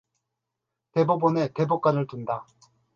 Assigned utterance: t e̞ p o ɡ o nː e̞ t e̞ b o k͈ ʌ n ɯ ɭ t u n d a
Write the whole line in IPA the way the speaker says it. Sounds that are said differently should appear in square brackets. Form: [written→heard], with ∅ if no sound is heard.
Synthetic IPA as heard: t e̞ [p→b] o [ɡ→b] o [nː→n] e̞ t e̞ b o k͈ [ʌ→a] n ɯ ɭ t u n d a